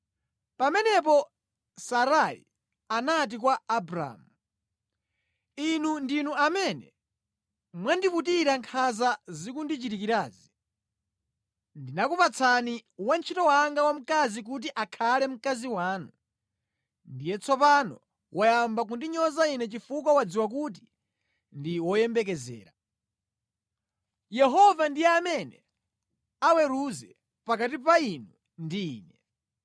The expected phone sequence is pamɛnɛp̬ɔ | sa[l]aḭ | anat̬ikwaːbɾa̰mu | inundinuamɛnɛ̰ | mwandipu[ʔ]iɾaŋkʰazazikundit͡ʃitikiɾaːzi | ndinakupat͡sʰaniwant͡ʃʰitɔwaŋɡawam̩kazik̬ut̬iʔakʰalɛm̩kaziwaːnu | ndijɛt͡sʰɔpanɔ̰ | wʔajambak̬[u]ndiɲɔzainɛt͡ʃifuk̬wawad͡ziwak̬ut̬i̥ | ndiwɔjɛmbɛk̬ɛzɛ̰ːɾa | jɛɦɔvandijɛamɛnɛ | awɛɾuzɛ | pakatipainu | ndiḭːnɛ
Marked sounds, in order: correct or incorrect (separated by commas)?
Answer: incorrect, incorrect, correct